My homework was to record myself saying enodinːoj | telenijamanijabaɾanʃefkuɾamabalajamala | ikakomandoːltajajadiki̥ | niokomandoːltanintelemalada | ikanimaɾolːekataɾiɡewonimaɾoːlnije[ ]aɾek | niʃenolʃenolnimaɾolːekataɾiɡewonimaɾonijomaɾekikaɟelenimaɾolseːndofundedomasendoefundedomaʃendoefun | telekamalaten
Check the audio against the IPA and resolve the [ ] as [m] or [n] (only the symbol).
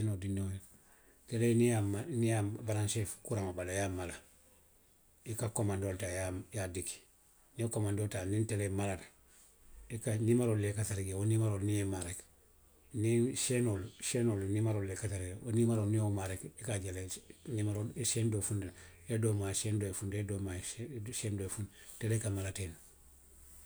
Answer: m